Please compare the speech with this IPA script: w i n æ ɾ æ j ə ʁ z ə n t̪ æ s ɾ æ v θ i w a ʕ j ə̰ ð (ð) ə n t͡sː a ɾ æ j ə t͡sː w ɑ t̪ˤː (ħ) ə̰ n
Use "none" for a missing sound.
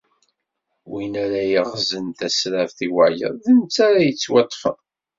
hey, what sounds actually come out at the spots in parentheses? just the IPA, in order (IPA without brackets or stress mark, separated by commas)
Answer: ð, f